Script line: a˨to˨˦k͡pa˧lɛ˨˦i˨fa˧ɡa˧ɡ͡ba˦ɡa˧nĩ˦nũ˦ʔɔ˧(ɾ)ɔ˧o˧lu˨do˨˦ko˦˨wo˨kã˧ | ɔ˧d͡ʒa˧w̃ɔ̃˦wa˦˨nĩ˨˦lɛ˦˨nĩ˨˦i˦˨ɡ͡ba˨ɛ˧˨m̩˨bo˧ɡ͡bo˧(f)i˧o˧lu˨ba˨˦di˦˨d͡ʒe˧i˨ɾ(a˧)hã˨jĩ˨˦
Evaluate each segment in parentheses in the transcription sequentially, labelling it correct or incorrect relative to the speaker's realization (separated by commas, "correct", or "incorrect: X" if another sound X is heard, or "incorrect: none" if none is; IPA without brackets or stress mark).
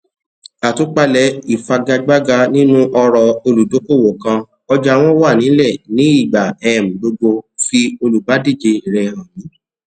correct, correct, incorrect: ɛ˧